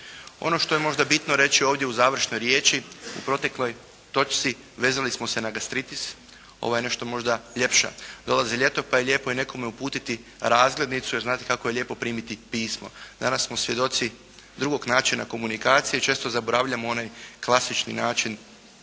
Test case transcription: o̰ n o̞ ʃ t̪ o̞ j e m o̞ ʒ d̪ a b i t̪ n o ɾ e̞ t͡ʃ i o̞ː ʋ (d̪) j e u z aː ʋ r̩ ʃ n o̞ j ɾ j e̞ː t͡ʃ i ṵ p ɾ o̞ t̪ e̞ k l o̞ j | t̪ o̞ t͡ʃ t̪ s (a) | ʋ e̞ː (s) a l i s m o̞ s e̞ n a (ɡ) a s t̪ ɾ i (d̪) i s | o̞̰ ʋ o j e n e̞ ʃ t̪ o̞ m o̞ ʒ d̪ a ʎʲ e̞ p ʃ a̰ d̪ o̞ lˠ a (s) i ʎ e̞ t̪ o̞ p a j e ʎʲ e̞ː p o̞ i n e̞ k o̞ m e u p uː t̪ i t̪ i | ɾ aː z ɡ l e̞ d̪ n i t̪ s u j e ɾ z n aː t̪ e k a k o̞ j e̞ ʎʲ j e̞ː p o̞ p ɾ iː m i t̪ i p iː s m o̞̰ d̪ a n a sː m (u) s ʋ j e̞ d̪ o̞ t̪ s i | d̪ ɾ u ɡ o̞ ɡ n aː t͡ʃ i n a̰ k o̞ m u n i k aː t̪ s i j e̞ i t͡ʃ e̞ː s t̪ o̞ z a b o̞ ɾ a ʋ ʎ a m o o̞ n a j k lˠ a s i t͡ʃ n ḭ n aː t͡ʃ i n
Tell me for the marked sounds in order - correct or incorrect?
correct, incorrect, incorrect, correct, incorrect, incorrect, incorrect

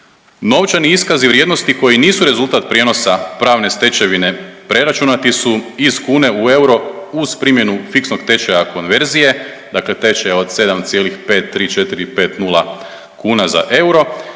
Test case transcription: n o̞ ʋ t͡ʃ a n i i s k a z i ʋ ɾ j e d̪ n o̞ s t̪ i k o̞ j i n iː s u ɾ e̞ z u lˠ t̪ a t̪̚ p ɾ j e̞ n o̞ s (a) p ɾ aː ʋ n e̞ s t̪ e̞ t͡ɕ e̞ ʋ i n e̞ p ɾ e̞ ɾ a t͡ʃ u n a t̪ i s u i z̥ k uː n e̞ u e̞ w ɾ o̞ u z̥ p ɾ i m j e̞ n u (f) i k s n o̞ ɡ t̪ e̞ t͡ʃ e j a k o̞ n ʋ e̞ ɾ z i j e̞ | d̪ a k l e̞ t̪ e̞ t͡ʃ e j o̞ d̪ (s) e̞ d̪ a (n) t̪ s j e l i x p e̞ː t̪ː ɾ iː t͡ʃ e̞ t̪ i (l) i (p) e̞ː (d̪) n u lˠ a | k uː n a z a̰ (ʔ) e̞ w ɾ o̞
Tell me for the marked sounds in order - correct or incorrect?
correct, correct, correct, incorrect, incorrect, correct, incorrect, correct

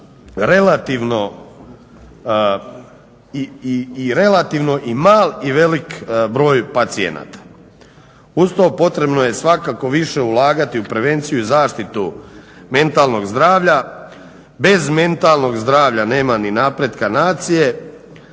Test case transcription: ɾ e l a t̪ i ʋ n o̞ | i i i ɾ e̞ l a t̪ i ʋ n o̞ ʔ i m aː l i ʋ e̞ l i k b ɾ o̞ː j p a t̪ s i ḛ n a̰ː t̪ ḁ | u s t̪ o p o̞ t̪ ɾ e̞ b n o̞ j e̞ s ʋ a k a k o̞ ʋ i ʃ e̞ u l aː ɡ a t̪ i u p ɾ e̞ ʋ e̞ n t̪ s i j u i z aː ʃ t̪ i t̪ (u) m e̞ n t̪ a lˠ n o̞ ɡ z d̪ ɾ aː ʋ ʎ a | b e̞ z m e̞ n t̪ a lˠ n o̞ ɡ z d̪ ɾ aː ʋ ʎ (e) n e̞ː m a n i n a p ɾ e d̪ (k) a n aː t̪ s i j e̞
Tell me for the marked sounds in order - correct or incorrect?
correct, incorrect, correct

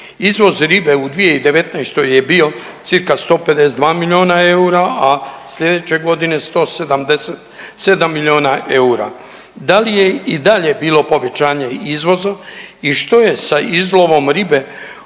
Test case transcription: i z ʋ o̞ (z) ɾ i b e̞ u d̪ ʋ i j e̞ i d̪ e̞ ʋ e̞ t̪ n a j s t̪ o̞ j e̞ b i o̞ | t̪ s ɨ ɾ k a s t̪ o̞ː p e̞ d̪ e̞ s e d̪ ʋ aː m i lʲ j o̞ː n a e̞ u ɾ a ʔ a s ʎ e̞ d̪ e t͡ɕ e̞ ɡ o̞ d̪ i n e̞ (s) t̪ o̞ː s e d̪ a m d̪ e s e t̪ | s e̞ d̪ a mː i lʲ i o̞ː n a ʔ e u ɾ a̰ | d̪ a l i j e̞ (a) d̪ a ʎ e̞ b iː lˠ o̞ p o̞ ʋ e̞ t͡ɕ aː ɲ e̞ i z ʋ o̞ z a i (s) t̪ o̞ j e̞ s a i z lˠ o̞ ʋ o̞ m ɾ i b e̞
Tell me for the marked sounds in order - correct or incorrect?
correct, correct, incorrect, incorrect

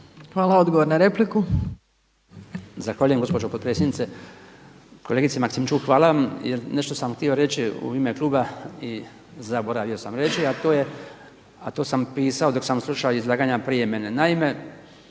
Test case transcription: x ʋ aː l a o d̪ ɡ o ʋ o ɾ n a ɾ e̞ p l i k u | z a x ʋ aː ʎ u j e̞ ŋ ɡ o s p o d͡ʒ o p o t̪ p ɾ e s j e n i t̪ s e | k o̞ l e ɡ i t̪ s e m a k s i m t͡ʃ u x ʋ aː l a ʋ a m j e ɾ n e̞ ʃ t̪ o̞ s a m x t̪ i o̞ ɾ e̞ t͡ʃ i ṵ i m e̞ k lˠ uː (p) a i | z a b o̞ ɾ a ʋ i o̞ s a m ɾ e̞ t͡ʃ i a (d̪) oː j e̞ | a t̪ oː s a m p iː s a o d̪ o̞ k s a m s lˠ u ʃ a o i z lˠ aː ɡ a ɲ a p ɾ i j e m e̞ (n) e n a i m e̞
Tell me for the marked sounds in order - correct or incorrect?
incorrect, incorrect, correct

